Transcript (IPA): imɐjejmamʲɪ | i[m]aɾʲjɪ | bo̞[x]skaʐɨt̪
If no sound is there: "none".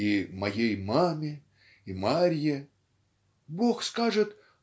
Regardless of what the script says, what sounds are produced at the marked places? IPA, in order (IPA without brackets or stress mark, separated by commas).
m, x